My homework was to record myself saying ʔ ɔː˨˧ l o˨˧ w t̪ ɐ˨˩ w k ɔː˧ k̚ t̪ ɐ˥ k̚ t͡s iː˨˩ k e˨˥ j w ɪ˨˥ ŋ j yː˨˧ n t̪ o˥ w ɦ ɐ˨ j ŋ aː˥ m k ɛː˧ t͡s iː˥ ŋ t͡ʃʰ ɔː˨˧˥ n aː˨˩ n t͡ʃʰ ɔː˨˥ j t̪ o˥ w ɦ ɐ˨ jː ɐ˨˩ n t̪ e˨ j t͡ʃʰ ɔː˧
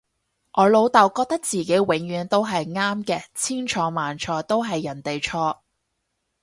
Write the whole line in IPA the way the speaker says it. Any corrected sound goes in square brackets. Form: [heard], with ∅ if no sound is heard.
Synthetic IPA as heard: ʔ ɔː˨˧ l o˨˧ w t̪ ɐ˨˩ w k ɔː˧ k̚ t̪ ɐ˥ k̚ t͡s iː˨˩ k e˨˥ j w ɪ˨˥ ŋ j yː˨˧ n t̪ o˥ w ɦ ɐ˨ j ŋ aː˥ m k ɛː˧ [t͡sʰ] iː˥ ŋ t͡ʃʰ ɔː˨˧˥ [m] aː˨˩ n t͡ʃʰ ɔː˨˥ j t̪ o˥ w ɦ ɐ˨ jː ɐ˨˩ n t̪ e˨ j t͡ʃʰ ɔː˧